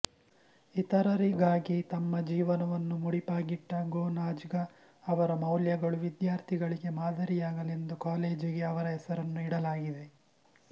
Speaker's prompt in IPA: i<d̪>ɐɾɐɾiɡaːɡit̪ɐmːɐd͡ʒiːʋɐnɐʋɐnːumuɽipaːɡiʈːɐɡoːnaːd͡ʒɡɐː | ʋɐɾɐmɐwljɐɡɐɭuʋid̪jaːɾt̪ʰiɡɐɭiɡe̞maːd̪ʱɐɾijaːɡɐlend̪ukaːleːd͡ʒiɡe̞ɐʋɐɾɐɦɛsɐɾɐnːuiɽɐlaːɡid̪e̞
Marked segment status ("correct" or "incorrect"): incorrect